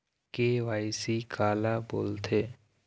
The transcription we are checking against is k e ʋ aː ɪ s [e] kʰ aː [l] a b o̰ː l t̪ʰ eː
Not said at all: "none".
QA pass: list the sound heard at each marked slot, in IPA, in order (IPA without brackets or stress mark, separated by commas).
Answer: i, l